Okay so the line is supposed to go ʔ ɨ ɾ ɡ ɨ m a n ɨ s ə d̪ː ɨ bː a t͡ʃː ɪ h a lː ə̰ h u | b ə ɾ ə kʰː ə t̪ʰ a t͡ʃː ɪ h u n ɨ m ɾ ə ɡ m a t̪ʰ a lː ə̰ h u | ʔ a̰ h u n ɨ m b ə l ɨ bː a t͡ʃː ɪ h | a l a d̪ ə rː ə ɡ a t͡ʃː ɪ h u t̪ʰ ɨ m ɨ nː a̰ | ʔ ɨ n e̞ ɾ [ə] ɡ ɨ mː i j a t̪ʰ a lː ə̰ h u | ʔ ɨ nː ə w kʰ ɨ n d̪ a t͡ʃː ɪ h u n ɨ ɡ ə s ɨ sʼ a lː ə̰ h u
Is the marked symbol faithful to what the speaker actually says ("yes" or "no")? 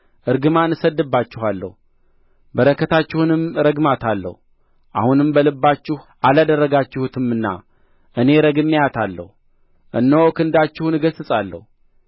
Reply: yes